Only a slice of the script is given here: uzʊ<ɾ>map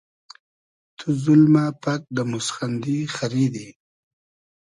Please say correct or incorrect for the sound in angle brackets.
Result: incorrect